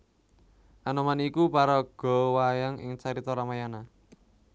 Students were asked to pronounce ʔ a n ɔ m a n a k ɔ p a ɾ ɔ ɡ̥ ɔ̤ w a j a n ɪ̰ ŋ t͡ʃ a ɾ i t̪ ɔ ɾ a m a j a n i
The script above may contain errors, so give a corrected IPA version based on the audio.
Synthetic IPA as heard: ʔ a n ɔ m a n i k u p a ɾ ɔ ɡ̥ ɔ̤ w a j a ŋ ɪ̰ ŋ t͡ʃ a ɾ i t̪ ɔ ɾ a m a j a n a